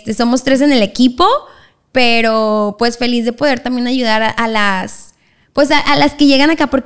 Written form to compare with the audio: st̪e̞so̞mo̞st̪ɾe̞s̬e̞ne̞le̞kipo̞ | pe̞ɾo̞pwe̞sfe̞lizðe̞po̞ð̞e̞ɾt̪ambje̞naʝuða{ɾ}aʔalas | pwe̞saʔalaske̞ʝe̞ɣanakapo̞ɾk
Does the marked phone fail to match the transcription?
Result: no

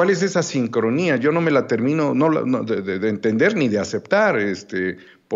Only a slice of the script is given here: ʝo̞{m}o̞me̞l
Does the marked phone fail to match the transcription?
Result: yes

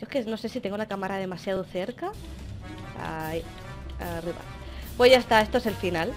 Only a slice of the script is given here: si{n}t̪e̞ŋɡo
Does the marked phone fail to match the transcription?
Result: yes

